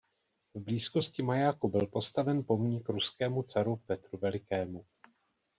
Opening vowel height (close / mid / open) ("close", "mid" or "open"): close